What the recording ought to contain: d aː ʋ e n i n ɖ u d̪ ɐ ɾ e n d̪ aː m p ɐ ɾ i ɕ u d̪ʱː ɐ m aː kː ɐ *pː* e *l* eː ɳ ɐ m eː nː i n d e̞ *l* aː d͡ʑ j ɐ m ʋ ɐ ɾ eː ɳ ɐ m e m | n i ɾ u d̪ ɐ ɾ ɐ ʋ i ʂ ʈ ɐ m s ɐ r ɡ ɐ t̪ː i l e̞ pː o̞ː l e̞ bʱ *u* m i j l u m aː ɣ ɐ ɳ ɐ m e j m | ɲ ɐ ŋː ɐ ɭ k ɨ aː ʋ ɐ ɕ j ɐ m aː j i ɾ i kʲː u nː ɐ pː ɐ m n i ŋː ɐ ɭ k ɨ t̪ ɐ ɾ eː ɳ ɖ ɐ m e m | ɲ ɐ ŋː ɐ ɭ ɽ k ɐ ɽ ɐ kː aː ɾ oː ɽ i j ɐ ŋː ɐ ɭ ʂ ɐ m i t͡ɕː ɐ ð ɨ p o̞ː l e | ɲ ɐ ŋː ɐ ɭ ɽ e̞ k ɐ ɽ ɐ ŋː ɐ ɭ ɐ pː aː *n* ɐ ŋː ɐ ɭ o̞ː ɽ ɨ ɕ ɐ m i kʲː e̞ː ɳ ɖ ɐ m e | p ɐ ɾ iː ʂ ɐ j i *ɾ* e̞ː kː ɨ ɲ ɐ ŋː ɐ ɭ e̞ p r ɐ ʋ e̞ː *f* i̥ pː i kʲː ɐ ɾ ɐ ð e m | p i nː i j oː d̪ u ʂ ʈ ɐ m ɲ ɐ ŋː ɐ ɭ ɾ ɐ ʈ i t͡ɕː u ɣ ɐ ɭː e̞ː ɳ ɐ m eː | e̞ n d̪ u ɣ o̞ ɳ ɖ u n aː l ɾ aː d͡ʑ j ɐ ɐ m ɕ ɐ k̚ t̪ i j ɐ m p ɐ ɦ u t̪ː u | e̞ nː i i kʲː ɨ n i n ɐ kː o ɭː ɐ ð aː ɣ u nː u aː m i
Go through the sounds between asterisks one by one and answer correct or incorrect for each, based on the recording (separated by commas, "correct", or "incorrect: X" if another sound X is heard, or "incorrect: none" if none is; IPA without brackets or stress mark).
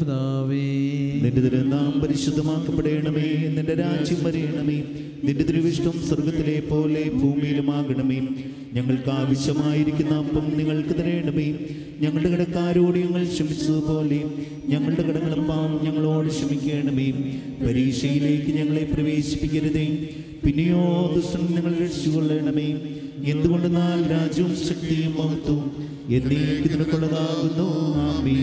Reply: correct, incorrect: ɽ, incorrect: ɾ, incorrect: uː, incorrect: ɲ, incorrect: l, incorrect: ɕ